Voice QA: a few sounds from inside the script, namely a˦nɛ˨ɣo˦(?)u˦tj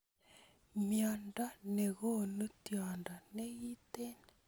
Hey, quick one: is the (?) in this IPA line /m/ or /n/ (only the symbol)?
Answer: n